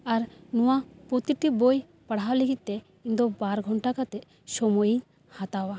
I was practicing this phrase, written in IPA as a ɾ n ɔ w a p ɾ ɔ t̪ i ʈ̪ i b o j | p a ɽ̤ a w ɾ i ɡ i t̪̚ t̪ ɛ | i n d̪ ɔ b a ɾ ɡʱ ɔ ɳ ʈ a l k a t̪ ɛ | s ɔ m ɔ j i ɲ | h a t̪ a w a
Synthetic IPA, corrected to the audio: a ɾ n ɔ w a p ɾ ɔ t̪ i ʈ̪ i b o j | p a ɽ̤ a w l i ɡ i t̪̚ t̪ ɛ | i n d̪ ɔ b a ɾ ɡʱ ɔ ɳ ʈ a k a t̪ ɛ | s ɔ m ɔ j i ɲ | h a t̪ a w a